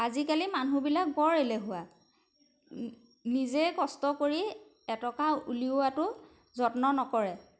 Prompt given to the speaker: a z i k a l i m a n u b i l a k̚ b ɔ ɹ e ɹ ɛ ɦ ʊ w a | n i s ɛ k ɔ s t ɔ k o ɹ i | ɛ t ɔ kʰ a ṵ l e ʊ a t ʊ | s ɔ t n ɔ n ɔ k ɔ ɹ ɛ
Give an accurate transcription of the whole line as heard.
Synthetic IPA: a z i k a l i m a n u b i l a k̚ b ɔ ɹ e l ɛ ɦ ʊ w a | n i z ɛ k ɔ s t ɔ k o ɹ i | ɛ t ɔ k a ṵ l i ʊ a t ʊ | z ɔ t n ɔ n ɔ k ɔ ɹ ɛ